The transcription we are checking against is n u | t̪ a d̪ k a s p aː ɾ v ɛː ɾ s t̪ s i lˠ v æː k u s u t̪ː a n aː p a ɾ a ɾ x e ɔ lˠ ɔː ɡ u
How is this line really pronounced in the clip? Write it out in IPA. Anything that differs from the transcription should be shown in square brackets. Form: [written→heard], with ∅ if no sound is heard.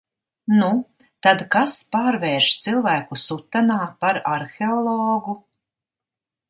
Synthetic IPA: n u | t̪ a d̪ k a s p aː ɾ v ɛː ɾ [s→ʃ] t̪ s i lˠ v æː k u s u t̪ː a n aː p a ɾ a ɾ x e ɔ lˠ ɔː ɡ u

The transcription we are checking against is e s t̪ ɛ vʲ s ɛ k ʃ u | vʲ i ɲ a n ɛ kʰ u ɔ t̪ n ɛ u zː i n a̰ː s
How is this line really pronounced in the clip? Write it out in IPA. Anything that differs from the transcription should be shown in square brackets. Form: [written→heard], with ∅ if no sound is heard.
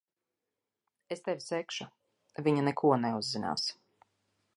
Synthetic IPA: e s t̪ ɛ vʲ s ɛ k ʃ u | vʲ i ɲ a n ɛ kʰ u ɔ [t̪→∅] n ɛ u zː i n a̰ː s

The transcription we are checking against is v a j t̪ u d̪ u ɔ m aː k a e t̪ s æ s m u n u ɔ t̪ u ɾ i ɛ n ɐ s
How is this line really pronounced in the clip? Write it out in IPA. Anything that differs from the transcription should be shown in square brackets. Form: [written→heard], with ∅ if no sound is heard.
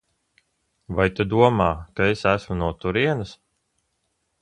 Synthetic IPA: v a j t̪ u d̪ u ɔ m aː k a e [t̪→∅] s æ s m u n u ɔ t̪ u ɾ i ɛ n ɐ s

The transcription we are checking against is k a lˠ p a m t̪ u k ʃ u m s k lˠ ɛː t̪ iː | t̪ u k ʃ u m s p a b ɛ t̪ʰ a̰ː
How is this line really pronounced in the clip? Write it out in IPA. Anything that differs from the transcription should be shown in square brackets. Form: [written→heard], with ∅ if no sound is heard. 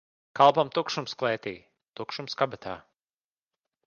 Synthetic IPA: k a lˠ p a m t̪ u k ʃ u m s k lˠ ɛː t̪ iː | t̪ u k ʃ u m s [p→k] a b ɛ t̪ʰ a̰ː

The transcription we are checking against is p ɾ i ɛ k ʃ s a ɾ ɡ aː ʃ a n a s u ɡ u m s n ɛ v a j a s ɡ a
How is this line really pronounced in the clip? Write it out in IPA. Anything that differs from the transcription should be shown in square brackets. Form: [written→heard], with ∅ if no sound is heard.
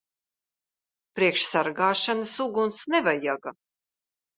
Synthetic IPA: p ɾ i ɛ k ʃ s a ɾ ɡ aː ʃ a n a s u ɡ u [m→n] s n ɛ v a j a [s→∅] ɡ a

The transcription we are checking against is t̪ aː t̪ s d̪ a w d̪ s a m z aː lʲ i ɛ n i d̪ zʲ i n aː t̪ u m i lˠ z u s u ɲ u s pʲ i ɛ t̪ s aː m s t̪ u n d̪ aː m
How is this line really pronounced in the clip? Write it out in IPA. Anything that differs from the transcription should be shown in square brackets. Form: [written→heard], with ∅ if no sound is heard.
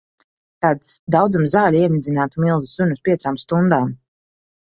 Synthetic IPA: t̪ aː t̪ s d̪ a w d̪ [s→z] a m z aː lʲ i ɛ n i d̪ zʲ i n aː t̪ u m i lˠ z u s u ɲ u s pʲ i ɛ t̪ s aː m s t̪ u n d̪ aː m

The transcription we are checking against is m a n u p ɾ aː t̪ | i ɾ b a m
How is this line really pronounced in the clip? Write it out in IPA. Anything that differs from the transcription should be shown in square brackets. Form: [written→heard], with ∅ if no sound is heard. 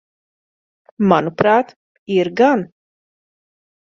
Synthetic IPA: m a n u p ɾ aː t̪ | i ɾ [b→ɡ] a [m→n]

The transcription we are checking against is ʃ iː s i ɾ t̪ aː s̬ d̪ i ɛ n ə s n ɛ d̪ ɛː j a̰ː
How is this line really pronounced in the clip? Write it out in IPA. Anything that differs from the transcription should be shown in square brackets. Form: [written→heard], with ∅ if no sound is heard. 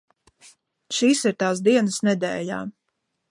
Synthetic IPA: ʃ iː s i ɾ t̪ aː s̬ d̪ i ɛ n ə s n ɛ d̪ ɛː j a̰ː

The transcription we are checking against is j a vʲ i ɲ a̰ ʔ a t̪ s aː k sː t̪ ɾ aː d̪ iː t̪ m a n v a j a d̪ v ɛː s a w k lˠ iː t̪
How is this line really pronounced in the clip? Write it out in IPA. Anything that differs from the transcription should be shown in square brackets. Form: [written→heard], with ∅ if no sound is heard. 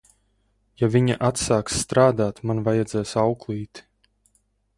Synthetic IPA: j a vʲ i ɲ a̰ ʔ a t̪ s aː k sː t̪ ɾ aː d̪ [iː→aː] t̪ m a n v a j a d̪ [v→z] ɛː s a w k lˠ iː t̪

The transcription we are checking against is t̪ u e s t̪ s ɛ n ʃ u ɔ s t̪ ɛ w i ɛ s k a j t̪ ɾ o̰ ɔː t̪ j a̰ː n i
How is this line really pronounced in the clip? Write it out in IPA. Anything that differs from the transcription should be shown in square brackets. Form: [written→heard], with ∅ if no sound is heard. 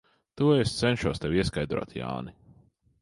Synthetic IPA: t̪ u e s t̪ s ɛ n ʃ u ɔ s t̪ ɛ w i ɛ s k a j [t̪→d̪] ɾ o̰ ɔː t̪ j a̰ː n i

